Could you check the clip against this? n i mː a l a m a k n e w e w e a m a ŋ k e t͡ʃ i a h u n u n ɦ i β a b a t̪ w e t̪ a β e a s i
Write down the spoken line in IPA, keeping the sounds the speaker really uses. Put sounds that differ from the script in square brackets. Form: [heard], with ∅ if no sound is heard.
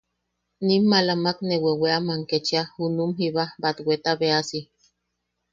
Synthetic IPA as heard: n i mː a l a m a k n e w e w e a m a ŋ k e t͡ʃ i a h u n u [m] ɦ i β a b a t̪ w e t̪ a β e a s i